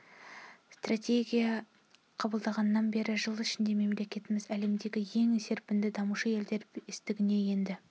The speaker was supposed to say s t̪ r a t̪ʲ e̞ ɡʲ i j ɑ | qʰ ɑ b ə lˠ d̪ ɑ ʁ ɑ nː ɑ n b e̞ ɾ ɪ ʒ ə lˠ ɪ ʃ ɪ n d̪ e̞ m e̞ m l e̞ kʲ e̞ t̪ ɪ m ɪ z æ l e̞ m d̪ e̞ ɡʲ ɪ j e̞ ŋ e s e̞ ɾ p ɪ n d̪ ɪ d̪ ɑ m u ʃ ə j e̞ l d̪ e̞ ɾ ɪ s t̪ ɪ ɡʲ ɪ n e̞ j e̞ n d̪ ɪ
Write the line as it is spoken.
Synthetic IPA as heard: s t̪ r a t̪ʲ e̞ ɡʲ i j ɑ | qʰ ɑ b ə lˠ d̪ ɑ ʁ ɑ nː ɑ n b e̞ ɾ ɪ ʒ ə lˠ ɪ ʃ ɪ n d̪ e̞ m e̞ m l e̞ kʲ e̞ t̪ ɪ m ɪ z æ l e̞ m d̪ e̞ ɡʲ ɪ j e̞ ŋ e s e̞ ɾ p ɪ n d̪ ɪ d̪ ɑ m u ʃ ə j e̞ l d̪ e̞ ɾ ɪ s t̪ ɪ ɡʲ ɪ n e̞ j e̞ n d̪ ɪ